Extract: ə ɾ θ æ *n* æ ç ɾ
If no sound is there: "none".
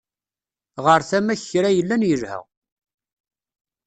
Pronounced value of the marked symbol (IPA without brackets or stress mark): m